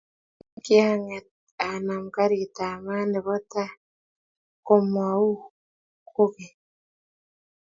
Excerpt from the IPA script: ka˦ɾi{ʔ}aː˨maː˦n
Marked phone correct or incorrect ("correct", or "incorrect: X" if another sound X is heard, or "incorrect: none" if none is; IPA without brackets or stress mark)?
incorrect: t